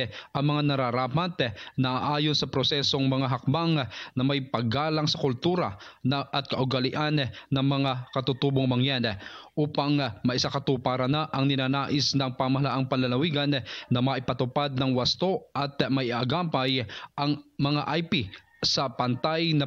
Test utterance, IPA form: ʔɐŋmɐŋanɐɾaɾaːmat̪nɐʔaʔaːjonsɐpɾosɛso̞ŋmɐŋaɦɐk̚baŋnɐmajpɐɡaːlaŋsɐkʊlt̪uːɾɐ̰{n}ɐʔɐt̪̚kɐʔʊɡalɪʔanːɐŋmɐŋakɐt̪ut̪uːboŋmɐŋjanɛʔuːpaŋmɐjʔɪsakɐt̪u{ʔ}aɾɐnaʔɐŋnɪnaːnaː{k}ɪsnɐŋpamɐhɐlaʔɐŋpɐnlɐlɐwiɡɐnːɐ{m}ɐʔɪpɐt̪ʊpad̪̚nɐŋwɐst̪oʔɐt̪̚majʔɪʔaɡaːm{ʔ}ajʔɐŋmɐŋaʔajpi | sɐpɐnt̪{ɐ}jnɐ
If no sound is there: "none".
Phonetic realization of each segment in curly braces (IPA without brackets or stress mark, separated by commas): n, p, ʔ, m, p, a